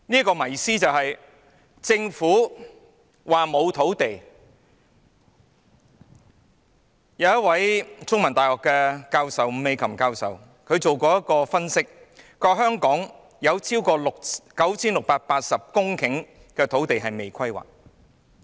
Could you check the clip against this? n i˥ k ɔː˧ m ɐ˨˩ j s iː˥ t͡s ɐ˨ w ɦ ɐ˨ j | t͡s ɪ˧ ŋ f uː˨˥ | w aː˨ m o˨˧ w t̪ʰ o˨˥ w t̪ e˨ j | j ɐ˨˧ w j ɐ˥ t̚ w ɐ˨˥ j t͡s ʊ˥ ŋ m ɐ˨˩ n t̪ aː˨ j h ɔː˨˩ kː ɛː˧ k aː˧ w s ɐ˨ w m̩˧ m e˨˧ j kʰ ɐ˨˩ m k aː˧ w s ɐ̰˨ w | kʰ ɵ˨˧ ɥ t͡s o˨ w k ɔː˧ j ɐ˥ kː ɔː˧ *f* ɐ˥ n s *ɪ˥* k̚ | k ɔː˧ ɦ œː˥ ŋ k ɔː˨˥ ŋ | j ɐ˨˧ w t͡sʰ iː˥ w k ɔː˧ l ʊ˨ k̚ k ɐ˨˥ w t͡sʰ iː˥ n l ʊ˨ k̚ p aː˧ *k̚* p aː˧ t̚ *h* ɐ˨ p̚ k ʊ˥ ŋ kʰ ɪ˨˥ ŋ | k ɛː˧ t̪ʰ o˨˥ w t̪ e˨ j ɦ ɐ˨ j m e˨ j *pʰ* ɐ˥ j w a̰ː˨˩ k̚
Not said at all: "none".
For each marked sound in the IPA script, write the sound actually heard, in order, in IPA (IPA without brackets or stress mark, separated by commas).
f, ɪ˥, t̚, s, kʰ